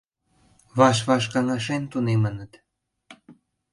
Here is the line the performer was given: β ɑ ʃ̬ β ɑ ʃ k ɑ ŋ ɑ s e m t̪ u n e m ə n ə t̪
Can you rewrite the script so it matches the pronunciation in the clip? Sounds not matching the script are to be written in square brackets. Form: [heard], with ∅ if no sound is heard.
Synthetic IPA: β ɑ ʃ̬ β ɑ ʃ k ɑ ŋ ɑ [ʃ] e [n] t̪ u n e m ə n ə t̪